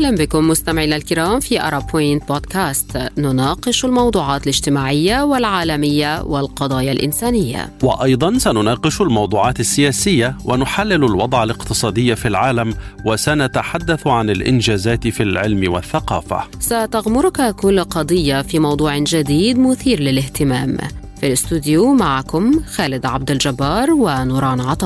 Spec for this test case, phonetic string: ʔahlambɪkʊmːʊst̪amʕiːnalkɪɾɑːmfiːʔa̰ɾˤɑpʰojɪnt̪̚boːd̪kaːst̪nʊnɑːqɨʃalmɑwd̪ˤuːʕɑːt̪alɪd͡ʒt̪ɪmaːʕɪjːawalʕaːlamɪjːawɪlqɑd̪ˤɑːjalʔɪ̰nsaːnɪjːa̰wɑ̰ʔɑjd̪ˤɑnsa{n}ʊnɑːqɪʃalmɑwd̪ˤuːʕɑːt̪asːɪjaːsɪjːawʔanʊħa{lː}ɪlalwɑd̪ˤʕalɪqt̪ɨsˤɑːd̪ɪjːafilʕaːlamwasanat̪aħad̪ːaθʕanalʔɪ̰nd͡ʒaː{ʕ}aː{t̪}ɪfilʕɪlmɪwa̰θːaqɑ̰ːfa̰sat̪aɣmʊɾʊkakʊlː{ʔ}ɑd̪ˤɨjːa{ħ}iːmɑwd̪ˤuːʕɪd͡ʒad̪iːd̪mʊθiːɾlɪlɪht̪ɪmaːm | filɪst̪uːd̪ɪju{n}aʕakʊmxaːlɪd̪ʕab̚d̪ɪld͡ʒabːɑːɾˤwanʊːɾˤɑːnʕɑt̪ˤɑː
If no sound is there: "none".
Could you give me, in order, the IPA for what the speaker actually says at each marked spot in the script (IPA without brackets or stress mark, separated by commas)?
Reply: n, lː, z, t̪, q, f, m